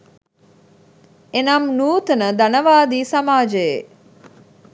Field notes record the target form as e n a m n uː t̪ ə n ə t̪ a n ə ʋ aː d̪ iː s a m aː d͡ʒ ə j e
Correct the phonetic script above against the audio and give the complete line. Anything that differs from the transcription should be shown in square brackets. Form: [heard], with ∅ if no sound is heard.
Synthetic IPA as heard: e n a m n uː t̪ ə n ə [d̪] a n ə ʋ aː d̪ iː s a m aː d͡ʒ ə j e